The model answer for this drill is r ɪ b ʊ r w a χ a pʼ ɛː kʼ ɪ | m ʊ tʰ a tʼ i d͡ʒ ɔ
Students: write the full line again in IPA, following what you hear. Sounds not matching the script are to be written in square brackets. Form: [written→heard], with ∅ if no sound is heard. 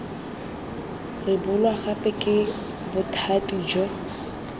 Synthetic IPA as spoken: r ɪ b ʊ [r→l] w a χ a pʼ [ɛː→ɛ] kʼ ɪ | [m→b] ʊ tʰ a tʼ i d͡ʒ ɔ